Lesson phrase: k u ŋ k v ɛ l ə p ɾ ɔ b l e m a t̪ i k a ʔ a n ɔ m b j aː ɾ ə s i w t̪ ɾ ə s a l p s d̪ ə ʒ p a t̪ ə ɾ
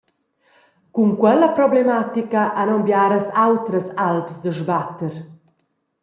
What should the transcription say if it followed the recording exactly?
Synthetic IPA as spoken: k u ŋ k w ɛ l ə p ɾ ɔ b l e m a t̪ i k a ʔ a n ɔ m b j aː ɾ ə s a w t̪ ɾ ə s a l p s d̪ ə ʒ b a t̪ ə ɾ